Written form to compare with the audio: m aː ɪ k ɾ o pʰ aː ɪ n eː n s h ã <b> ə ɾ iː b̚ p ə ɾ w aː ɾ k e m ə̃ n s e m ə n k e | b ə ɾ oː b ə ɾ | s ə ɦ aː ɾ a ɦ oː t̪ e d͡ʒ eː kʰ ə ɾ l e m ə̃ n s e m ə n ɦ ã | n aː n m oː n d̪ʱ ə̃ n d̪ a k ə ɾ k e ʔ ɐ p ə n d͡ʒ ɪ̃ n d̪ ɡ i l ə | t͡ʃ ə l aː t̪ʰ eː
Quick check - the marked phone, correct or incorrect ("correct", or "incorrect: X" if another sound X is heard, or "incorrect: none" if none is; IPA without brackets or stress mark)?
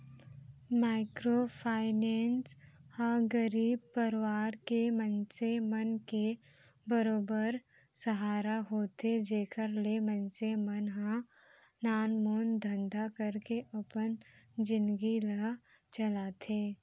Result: incorrect: ɡ